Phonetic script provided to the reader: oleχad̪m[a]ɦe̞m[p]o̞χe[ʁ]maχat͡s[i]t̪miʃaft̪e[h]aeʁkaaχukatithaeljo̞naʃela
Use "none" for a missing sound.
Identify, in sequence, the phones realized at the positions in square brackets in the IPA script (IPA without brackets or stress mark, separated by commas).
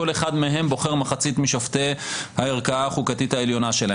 e, b, ʁ, i, h